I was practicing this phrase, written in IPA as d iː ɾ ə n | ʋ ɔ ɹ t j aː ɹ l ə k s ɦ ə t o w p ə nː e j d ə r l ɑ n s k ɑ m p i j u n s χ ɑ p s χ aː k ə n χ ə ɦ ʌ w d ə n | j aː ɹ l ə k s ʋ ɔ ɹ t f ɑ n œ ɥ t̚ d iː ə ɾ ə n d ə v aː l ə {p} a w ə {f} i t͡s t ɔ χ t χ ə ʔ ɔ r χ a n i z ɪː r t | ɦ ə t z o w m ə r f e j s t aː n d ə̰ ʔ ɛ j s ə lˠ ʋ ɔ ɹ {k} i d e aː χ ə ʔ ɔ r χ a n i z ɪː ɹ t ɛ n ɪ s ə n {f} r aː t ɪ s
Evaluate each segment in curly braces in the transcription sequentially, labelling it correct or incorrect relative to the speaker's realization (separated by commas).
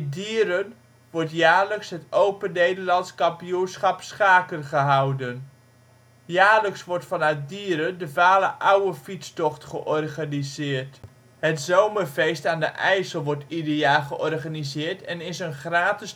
incorrect, correct, incorrect, incorrect